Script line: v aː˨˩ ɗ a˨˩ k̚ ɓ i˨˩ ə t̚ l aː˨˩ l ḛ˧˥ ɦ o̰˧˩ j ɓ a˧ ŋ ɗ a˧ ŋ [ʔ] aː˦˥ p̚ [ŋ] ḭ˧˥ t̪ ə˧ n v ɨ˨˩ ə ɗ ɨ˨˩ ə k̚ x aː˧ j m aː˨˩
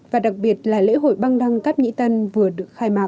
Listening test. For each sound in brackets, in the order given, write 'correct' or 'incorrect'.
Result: incorrect: k, incorrect: ɲ

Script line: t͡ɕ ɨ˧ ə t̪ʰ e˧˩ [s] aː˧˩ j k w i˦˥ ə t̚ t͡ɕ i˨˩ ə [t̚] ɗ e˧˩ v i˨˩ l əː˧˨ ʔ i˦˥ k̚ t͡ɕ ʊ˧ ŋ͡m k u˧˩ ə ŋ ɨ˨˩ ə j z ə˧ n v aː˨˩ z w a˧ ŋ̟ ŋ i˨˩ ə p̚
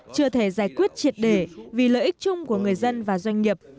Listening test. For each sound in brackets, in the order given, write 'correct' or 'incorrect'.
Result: incorrect: z, correct

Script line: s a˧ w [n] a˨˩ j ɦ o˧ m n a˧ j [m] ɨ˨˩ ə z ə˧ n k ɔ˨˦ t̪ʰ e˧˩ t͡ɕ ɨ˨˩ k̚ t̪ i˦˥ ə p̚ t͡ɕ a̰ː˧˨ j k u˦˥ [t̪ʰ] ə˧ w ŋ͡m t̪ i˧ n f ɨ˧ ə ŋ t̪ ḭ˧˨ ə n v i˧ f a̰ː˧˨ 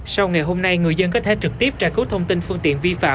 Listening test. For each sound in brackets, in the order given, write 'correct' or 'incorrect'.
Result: incorrect: ŋ, incorrect: ŋ, correct

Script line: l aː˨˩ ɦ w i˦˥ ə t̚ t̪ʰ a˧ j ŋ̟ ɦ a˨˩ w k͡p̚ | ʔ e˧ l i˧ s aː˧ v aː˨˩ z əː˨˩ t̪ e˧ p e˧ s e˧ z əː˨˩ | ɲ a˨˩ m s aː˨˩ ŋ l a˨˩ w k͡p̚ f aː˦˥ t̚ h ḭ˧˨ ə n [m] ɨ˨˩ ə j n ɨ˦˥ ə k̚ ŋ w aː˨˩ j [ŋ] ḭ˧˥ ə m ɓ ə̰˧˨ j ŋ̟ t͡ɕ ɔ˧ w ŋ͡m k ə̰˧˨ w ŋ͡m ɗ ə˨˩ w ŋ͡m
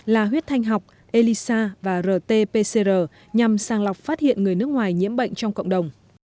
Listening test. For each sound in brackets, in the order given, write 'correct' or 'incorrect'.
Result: incorrect: ŋ, incorrect: ɲ

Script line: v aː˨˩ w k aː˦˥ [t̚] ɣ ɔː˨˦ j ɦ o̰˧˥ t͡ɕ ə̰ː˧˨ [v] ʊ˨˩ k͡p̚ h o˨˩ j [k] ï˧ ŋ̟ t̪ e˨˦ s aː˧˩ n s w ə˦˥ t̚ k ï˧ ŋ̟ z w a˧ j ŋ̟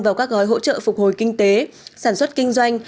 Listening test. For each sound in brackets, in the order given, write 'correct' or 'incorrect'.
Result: incorrect: k̚, incorrect: f, correct

